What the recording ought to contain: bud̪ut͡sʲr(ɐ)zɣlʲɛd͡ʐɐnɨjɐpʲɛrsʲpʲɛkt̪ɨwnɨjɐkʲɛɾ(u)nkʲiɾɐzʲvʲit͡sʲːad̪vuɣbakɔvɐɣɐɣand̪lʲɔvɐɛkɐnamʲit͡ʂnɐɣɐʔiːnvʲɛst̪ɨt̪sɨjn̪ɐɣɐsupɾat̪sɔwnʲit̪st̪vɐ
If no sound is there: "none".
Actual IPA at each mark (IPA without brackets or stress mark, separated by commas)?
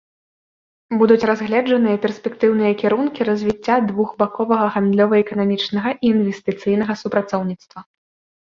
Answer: a, u